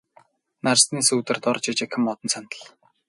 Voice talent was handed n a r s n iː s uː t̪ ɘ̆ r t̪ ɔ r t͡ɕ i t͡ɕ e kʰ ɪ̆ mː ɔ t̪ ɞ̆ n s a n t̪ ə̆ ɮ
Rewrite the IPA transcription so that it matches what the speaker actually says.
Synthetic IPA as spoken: n a r s n iː s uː t̪ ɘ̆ r t̪ ɔ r t͡ɕ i t͡ɕ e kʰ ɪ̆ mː ɔ t̪ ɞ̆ n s a n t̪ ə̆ ɮ